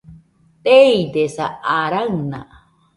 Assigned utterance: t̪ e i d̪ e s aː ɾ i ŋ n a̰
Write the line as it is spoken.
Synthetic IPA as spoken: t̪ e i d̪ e s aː ɾ a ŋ n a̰